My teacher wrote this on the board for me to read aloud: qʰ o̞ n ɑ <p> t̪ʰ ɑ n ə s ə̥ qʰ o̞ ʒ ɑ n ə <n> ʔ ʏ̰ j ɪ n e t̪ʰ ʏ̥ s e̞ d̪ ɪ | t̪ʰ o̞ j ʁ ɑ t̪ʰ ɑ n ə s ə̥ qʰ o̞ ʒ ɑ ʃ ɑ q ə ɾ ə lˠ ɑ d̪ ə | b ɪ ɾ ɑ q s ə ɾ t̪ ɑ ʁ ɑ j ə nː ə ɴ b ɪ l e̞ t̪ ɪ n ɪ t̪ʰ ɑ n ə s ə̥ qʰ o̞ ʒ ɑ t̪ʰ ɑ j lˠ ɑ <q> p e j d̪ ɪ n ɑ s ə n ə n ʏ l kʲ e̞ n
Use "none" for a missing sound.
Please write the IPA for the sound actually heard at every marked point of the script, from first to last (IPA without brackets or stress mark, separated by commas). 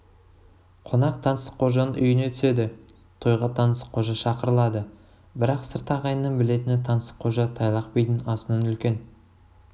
q, n, q